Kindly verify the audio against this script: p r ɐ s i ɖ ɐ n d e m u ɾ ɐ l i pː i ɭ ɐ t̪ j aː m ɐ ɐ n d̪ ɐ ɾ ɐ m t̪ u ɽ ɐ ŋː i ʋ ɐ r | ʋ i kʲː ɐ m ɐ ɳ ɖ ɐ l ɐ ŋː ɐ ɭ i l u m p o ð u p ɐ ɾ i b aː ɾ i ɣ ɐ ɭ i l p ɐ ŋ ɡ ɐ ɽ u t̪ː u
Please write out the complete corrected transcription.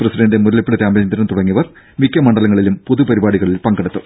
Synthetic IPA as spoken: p r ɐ s i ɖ ɐ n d e m u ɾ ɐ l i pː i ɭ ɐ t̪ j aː m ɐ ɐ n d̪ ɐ ɾ ɐ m t̪ u ɽ ɐ ŋː i ʋ ɐ r | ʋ i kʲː ɐ m ɐ ɳ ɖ ɐ l ɐ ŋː ɐ ɭ i l u m p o ð u p ɐ ɾ i b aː ɽ i ɣ ɐ ɭ i l p ɐ ŋ ɡ ɐ ɽ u t̪ː u